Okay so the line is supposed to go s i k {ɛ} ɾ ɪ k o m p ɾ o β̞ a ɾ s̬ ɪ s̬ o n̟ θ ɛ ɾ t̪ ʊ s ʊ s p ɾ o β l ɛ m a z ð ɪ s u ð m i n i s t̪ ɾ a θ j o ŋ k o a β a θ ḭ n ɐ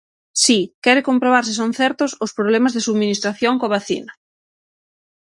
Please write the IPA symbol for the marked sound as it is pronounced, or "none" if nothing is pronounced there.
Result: ɛ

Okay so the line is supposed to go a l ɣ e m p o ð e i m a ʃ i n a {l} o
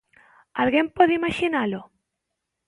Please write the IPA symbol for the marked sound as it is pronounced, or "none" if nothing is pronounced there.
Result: l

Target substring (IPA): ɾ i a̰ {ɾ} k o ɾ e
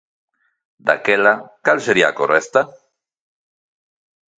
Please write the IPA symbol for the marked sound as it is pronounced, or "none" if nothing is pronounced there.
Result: none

